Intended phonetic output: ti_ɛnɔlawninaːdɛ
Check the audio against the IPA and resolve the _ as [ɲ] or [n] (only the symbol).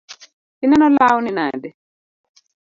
n